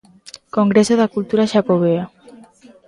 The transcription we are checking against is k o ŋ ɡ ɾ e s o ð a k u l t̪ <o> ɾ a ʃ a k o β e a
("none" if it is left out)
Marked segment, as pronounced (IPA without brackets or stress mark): u